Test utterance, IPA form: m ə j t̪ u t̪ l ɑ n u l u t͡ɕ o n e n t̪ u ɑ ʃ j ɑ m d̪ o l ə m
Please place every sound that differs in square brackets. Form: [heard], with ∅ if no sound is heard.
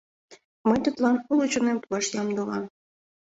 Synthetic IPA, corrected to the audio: m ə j t̪ u t̪ l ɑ n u l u t͡ɕ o n e [m] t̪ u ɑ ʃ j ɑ m d̪ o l [ɑ] m